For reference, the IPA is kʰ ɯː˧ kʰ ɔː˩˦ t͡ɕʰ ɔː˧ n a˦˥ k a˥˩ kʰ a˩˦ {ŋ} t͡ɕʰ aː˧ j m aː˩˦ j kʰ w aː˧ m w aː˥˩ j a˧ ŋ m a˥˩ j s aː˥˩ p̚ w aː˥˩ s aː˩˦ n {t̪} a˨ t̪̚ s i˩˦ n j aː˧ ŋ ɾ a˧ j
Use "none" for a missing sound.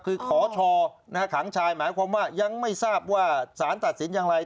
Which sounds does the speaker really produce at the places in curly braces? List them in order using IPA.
ŋ, t̪

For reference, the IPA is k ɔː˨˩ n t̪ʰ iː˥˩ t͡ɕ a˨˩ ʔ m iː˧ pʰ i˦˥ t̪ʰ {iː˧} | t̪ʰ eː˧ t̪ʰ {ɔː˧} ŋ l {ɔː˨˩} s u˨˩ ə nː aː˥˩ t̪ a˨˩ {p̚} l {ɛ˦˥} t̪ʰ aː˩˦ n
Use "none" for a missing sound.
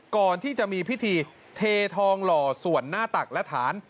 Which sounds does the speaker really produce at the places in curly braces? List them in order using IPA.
iː˧, ɔː˧, ɔː˨˩, k̚, ɛ˦˥

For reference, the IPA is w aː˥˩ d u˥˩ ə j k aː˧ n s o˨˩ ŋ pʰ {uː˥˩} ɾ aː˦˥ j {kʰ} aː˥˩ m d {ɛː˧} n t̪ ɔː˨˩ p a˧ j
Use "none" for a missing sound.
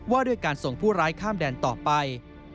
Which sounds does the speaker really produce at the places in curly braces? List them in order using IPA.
uː˥˩, kʰ, ɛː˧

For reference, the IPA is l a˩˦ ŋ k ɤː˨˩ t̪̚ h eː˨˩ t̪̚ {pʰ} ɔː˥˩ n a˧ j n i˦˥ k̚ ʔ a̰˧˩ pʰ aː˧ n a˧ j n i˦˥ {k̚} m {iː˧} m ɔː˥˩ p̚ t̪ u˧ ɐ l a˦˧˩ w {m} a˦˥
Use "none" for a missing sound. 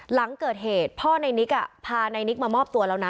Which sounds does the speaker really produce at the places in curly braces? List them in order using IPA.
pʰ, k̚, aː˧, n

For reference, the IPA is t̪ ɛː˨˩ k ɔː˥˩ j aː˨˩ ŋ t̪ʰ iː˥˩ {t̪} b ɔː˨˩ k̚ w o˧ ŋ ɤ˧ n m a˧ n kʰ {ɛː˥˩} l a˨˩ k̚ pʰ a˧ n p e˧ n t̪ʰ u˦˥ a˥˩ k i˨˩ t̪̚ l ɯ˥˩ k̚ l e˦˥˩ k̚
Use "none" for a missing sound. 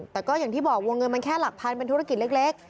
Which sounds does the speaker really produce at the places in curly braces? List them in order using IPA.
none, ɛː˥˩

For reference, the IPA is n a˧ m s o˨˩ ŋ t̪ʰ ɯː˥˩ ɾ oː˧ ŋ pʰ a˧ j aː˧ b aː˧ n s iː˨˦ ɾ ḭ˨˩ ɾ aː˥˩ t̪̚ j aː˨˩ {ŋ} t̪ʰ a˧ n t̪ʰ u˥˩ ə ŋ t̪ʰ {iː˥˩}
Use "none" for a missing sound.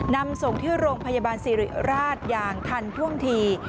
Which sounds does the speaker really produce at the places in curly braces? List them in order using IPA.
ŋ, iː˧

